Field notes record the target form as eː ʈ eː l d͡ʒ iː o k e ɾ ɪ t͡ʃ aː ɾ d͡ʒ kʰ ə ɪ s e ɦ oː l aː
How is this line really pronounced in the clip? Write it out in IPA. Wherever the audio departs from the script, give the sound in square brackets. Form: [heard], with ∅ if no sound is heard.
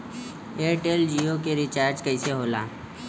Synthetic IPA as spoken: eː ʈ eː l d͡ʒ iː o k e ɾ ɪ t͡ʃ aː ɾ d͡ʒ [k] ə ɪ s e ɦ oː l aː